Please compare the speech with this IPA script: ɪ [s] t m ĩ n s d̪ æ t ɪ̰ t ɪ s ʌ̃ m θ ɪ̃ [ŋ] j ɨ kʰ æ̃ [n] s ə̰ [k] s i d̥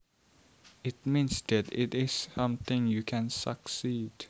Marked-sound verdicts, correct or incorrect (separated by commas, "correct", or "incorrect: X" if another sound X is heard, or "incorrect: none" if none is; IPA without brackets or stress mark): incorrect: none, correct, correct, correct